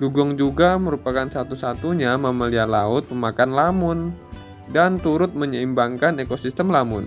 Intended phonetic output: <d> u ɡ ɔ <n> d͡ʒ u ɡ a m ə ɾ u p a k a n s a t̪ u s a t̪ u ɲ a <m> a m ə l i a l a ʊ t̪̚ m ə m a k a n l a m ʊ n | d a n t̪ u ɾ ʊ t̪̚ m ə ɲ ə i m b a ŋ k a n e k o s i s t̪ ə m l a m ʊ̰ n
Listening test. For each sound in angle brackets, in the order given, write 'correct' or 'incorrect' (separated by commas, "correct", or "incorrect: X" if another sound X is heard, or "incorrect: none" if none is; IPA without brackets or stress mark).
incorrect: ɡ, incorrect: ŋ, correct